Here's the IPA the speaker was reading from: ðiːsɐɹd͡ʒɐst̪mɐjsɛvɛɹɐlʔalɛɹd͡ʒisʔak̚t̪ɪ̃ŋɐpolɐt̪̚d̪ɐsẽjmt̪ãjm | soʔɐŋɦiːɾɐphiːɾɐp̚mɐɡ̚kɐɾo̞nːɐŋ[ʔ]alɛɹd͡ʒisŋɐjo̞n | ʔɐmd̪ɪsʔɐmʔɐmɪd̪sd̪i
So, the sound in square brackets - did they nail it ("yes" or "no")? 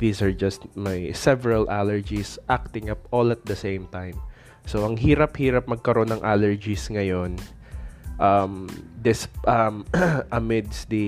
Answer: yes